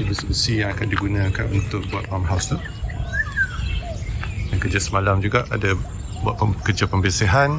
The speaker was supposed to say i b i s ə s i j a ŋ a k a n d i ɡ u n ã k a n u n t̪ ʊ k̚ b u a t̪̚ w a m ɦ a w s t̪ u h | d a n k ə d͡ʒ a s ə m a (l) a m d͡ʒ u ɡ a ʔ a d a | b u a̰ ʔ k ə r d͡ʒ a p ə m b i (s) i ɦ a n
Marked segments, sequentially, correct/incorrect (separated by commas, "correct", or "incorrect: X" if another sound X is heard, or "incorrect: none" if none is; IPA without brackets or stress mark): correct, correct